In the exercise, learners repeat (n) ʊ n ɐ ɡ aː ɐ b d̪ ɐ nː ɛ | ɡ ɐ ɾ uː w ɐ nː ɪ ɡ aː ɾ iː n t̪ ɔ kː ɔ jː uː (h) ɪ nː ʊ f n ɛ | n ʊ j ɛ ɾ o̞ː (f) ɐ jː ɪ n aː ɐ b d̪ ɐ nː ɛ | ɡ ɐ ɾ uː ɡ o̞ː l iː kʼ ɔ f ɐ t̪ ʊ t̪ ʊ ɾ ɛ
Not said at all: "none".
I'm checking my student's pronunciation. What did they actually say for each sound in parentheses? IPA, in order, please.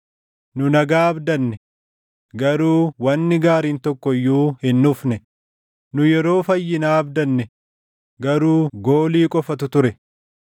n, h, f

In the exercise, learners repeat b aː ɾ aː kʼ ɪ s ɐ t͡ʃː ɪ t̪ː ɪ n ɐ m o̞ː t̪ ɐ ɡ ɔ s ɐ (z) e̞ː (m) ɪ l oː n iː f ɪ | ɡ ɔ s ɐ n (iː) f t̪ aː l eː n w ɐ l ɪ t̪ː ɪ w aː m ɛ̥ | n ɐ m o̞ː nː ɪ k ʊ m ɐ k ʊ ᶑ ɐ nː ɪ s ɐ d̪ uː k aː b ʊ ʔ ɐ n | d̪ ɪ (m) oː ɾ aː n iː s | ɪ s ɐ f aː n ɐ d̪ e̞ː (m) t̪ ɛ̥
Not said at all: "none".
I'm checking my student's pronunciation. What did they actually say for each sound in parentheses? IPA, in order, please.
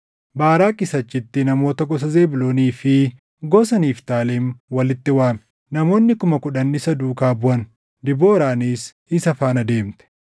z, b, iː, b, m

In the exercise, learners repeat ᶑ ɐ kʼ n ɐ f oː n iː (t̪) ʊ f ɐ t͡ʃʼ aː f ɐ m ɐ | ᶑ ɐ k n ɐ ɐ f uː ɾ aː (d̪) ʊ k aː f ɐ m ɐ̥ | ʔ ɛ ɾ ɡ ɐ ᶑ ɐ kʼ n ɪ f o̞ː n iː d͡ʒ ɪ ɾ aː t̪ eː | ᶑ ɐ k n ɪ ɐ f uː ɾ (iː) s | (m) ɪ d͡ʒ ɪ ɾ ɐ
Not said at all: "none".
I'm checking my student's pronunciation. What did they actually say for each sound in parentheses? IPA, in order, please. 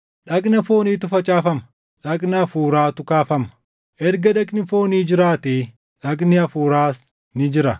t̪, t̪, aː, n

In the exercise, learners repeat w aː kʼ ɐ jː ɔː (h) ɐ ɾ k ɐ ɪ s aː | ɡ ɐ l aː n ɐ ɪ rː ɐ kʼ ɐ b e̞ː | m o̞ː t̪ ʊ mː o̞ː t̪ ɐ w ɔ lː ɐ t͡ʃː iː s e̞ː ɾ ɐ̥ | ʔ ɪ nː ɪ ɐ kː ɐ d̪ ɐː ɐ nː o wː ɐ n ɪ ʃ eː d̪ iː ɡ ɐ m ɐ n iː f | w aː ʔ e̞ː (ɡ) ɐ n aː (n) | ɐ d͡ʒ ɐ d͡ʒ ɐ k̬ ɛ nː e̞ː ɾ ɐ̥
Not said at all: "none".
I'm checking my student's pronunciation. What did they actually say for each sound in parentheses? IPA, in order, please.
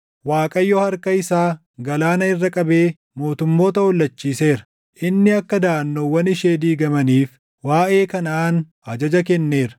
h, k, n

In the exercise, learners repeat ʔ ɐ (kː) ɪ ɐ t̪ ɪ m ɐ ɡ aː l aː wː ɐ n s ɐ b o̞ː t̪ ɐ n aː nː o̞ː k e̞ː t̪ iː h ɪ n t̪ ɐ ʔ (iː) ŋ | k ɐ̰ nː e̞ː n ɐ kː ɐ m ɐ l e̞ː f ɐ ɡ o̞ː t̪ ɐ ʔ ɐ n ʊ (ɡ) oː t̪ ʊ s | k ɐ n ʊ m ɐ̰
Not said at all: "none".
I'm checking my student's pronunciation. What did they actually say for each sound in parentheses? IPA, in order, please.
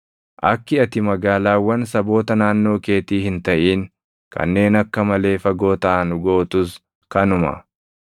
kː, iː, ɡ

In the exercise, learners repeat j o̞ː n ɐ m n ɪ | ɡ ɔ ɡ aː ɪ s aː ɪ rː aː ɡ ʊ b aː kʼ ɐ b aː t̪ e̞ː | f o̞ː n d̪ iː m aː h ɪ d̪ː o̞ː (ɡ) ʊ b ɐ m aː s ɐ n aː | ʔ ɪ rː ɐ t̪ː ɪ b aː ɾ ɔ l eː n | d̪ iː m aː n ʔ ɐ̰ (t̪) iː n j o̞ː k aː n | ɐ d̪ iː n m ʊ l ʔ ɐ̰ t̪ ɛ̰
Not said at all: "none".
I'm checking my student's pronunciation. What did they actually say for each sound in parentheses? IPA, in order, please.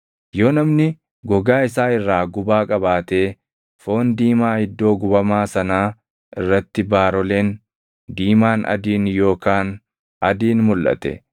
ɡ, d̪

